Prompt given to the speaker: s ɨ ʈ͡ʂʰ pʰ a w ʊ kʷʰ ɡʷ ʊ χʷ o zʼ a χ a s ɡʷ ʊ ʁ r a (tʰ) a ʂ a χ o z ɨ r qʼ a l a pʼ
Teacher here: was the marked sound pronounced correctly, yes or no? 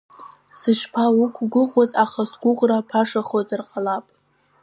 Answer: no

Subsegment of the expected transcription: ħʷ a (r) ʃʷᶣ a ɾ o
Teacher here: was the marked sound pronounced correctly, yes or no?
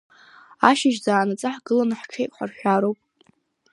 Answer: yes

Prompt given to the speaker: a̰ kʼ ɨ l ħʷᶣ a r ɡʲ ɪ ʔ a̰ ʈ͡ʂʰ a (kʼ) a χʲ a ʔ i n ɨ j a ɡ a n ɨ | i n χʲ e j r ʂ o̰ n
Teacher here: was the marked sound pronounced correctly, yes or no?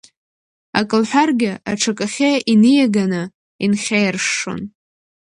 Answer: yes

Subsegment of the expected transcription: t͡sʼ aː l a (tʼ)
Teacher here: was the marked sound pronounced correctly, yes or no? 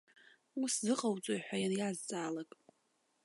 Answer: no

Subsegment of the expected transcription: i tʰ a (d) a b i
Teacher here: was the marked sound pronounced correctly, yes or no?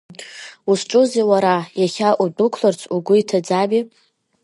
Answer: no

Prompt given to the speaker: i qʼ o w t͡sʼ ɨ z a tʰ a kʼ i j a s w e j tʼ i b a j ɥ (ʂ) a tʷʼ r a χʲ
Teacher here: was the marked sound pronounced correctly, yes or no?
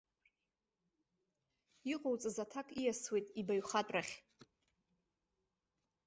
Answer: no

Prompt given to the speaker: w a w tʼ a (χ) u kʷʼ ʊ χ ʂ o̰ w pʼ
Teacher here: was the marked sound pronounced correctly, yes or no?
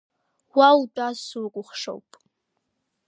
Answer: no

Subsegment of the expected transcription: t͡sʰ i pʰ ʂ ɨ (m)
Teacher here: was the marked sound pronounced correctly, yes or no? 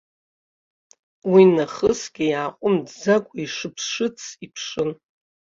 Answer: no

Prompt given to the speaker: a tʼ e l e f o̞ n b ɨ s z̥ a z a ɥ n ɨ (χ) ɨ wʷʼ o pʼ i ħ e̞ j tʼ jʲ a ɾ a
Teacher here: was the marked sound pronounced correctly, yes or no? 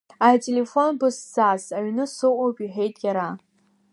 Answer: no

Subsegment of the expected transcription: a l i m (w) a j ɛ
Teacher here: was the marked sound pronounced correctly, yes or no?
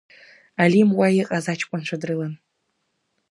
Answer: yes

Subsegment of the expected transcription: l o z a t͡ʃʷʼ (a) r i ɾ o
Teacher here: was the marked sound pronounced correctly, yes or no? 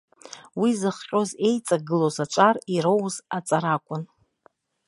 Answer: yes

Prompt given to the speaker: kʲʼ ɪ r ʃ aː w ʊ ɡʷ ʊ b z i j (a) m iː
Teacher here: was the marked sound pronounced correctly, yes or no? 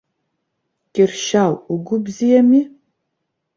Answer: no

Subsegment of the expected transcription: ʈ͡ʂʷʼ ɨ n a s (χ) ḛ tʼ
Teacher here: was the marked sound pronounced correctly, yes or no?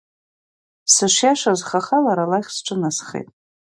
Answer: yes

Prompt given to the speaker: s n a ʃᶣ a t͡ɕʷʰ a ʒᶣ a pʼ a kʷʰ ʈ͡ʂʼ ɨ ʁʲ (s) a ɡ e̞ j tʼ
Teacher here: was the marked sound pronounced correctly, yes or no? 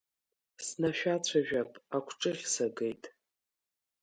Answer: yes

